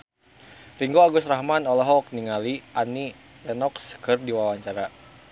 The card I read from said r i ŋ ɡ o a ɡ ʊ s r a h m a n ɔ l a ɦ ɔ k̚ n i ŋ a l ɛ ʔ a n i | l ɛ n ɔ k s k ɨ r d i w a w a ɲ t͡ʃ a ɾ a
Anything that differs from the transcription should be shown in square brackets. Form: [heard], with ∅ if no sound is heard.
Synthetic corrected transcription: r i ŋ ɡ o a ɡ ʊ s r a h m a n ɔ l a ɦ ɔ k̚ n i ŋ a l [i] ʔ a n i | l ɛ n ɔ k s k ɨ r d i w a w a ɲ t͡ʃ a ɾ a